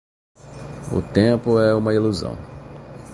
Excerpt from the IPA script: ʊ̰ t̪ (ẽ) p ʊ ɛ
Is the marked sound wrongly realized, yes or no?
no